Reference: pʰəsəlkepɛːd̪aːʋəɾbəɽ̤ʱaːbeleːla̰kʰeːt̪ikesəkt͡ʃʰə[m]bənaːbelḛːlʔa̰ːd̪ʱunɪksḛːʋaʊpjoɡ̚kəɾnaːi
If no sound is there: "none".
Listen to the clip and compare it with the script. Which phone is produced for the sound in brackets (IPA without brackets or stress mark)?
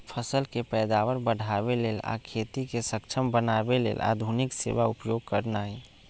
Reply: m